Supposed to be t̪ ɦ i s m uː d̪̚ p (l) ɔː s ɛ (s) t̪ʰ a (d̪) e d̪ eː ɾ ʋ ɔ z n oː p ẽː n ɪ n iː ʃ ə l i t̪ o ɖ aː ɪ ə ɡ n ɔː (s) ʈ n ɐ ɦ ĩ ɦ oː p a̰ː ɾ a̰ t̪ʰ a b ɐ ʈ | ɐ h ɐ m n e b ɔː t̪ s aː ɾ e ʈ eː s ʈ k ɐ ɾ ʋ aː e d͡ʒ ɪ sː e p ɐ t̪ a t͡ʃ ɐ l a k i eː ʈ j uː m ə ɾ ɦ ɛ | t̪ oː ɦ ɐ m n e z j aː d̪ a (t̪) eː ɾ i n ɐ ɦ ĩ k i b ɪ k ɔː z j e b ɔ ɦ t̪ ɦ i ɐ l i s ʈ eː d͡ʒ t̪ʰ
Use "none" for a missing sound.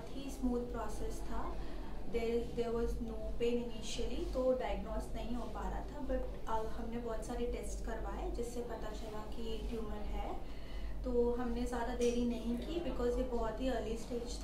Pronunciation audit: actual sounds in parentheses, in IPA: ɾ, s, d̪, s, d̪

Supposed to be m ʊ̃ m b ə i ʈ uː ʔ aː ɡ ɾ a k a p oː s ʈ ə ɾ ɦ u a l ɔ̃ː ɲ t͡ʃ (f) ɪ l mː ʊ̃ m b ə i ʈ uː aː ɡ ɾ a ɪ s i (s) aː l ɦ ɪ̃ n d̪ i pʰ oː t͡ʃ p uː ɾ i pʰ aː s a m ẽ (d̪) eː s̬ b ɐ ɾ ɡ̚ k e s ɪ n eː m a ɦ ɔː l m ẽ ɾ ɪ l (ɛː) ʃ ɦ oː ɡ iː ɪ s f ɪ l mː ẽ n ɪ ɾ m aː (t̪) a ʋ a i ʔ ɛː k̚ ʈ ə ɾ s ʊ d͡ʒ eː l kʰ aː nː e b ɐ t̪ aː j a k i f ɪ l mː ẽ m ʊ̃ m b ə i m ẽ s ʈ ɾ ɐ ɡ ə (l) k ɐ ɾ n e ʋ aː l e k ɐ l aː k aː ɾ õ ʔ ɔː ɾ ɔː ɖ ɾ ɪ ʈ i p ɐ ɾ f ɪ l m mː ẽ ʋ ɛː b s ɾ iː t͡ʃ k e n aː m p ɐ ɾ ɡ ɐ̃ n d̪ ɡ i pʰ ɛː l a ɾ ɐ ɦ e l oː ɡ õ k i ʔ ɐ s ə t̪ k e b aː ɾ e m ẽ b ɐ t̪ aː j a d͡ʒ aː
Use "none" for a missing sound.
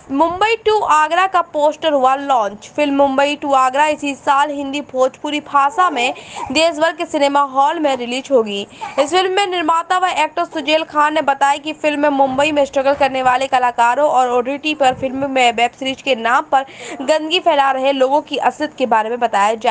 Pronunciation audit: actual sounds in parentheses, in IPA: f, s, d̪, iː, t̪, l

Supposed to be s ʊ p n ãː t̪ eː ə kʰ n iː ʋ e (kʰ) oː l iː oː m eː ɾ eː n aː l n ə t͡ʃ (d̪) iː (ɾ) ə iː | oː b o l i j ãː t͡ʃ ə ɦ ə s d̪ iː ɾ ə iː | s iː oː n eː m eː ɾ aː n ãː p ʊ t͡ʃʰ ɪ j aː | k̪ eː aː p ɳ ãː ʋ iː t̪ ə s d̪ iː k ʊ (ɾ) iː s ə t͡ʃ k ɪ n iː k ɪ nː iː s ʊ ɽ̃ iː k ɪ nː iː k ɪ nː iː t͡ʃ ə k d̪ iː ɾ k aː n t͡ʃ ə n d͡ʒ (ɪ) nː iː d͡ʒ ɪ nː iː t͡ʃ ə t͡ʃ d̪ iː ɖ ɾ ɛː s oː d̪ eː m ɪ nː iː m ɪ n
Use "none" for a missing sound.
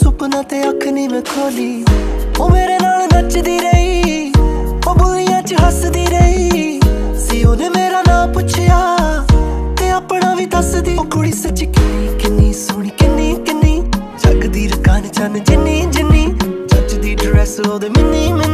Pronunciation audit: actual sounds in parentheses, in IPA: kʰ, d̪, ɾ, ɽ, ɪ

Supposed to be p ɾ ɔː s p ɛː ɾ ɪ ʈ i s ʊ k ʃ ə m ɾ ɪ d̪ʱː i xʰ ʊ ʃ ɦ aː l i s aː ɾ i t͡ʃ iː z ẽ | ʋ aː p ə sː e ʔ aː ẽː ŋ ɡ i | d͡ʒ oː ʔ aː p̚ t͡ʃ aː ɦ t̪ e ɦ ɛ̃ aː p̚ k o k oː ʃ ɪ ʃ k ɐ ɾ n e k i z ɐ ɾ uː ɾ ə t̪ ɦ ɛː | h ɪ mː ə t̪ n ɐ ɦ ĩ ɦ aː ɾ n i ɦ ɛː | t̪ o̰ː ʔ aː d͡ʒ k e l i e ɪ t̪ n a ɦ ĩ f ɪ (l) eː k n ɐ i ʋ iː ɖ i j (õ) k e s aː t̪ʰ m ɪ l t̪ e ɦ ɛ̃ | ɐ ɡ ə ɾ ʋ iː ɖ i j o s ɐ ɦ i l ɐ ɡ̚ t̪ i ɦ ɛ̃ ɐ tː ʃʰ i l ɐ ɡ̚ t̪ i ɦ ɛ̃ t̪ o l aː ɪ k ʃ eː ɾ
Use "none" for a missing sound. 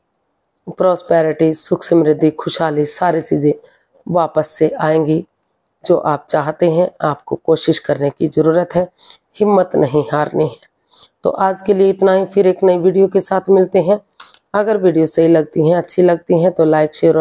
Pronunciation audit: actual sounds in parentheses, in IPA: ɾ, o

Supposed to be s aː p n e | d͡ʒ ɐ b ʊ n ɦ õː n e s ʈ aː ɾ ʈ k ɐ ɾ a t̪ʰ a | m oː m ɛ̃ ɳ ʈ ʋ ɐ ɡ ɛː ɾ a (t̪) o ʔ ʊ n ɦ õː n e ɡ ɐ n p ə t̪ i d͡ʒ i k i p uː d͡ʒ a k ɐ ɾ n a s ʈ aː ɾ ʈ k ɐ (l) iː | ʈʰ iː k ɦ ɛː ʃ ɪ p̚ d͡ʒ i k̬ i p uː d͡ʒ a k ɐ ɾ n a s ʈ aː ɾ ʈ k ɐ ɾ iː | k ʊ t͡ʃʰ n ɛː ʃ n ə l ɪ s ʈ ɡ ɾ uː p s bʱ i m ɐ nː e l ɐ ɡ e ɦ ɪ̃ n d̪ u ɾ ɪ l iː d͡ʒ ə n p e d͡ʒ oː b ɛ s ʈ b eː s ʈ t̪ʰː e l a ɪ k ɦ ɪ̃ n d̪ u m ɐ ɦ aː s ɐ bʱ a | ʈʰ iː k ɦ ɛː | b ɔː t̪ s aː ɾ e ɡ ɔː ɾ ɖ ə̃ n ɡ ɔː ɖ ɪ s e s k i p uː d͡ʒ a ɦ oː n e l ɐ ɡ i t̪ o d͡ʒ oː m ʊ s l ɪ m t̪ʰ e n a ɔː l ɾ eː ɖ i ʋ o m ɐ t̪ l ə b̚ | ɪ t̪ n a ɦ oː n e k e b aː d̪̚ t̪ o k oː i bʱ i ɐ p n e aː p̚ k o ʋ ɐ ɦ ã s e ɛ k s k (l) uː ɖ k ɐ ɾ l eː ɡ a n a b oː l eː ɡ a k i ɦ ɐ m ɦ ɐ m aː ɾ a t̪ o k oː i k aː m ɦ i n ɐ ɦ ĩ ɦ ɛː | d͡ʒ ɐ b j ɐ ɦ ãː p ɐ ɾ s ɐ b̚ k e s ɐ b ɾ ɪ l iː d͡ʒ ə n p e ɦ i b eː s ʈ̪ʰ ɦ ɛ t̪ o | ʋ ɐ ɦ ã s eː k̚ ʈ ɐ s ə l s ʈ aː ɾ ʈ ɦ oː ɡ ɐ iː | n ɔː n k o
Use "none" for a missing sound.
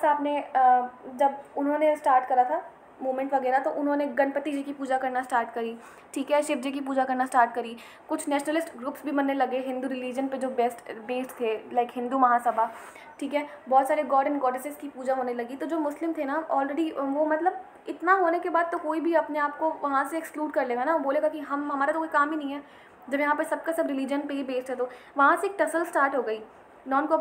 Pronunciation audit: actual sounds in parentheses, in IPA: t̪, ɾ, l

